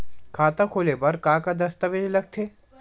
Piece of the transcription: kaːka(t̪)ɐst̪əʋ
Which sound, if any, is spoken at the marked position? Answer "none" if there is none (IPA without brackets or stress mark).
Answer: d̪